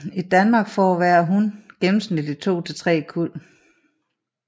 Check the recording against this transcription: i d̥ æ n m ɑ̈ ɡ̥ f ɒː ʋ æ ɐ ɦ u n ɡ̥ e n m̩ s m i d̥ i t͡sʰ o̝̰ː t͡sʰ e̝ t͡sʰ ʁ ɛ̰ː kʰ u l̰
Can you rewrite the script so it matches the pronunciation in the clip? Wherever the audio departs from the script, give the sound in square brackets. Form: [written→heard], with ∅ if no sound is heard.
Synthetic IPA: i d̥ æ n m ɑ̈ ɡ̥ f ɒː ʋ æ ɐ ɦ u n ɡ̥ e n m̩ s [m→n] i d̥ i t͡sʰ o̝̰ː t͡sʰ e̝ t͡sʰ ʁ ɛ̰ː kʰ u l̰